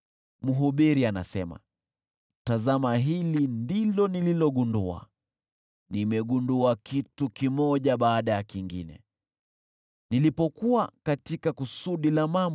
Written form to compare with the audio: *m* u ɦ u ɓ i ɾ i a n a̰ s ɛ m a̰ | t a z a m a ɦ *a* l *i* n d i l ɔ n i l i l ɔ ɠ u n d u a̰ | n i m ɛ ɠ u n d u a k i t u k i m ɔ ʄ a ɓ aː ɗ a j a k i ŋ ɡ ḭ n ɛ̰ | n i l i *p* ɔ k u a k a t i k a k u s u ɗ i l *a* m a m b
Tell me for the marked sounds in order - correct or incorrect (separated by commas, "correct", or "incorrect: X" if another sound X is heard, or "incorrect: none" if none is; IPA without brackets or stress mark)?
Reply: correct, incorrect: i, correct, correct, correct